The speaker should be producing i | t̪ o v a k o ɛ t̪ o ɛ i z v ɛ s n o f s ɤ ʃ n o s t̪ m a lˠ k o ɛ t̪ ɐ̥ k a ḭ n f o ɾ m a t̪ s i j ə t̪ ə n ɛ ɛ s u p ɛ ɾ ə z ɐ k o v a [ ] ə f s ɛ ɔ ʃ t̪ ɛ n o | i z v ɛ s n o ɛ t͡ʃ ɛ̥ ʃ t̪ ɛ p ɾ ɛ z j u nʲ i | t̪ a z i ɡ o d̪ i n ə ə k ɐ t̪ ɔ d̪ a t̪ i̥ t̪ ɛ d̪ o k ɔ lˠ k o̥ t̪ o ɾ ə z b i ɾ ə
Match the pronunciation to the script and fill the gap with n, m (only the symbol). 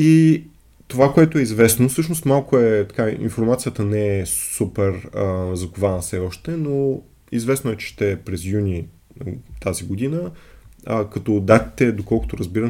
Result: n